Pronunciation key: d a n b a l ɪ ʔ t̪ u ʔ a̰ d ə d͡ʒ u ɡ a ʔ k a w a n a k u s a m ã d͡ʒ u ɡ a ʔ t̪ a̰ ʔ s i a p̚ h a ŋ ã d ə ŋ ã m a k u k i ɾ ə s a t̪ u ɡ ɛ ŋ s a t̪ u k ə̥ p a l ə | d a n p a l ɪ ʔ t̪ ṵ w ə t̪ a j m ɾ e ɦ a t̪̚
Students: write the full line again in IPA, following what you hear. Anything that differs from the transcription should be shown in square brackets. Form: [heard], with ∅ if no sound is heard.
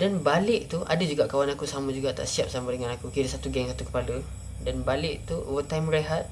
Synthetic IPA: d a n b a l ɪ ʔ t̪ u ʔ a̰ d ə d͡ʒ u ɡ a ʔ k a w a n a k u s a m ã d͡ʒ u ɡ a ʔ t̪ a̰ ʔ s i a p̚ [s] a [m] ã d ə ŋ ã [n] a k u k i ɾ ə s a t̪ u ɡ ɛ ŋ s a t̪ u k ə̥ p a l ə | d a n [b] a l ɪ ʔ t̪ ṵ w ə t̪ a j m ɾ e ɦ a t̪̚

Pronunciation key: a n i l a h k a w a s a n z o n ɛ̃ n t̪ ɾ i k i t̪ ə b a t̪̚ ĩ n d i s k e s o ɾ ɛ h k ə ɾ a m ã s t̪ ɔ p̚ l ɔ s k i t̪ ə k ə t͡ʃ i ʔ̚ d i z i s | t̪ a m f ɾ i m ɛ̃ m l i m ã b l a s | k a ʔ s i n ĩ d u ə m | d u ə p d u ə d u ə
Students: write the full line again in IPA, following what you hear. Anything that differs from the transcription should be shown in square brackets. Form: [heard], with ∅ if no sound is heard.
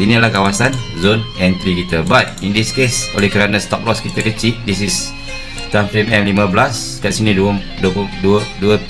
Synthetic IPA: [i] n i l a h k a w a s a n z o n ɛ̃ n t̪ ɾ i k i t̪ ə b a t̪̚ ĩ n d i s k e s o [l] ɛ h k ə ɾ a [n] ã s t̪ ɔ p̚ l ɔ s k i t̪ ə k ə t͡ʃ i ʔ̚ d i [s] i s | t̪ a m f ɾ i m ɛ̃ m l i m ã b l a s | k a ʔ s i n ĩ d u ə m | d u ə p d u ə d u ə

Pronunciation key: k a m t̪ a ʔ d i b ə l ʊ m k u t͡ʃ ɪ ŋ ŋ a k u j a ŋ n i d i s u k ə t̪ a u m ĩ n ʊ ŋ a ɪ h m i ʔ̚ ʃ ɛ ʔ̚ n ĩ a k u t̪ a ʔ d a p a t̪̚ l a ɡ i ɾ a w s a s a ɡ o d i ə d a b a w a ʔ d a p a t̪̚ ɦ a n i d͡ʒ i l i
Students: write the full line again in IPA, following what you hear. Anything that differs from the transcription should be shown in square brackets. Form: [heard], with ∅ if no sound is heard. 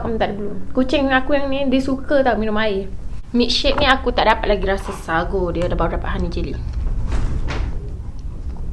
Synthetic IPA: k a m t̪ a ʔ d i b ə l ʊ m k u t͡ʃ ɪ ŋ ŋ a k u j a ŋ n i d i s u k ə t̪ a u m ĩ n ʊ [m] a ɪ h m i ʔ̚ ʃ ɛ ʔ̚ n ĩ a k u t̪ a ʔ d a p a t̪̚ l a ɡ i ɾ a [∅] s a s a ɡ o d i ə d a b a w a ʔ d a p a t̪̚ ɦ a n i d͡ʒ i l i

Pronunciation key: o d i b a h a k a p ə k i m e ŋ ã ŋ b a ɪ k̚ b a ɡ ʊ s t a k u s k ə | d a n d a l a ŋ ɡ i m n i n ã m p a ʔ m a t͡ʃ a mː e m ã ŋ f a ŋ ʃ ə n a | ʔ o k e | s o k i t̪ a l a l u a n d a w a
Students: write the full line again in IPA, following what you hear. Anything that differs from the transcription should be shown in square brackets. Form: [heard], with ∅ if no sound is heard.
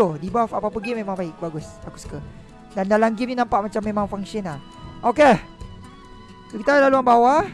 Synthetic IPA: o d i b a [f] a [p] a p ə [ɡ] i m e [m] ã ŋ b a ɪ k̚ b a ɡ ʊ s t a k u s k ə | d a n d a l a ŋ ɡ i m n i n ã m p a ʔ m a t͡ʃ a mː e m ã ŋ f a ŋ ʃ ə n a | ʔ o k e | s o k i t̪ a l a l u a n [b] a w a

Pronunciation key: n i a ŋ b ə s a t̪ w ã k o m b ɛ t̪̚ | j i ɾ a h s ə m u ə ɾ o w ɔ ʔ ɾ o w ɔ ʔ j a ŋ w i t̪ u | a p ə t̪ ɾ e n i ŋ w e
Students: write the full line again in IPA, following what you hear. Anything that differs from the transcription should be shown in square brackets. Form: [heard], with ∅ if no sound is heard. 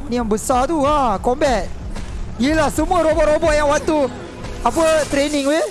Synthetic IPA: n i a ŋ b ə s a t̪ [u] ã k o m b ɛ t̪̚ | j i [l] a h s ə m u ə ɾ o [b] ɔ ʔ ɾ o [b] ɔ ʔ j a ŋ w [a] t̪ u | a p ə t̪ ɾ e n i ŋ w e

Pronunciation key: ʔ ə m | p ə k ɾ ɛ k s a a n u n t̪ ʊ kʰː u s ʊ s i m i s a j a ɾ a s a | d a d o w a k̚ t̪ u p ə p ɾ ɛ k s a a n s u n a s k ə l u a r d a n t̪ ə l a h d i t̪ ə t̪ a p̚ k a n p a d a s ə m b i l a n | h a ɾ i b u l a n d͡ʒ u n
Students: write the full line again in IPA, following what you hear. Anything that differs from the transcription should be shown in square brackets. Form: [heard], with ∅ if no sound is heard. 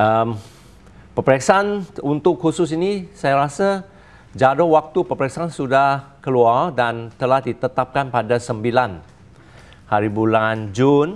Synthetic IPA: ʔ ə m | p ə [p] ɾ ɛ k s a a n u n t̪ ʊ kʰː u s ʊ s i [n] i s a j a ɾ a s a | [d͡ʒ] a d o w a k̚ t̪ u p ə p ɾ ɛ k s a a n s u [d] a [h] k ə l u a r d a n t̪ ə l a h d i t̪ ə t̪ a p̚ k a n p a d a s ə m b i l a n | h a ɾ i b u l a n d͡ʒ u n

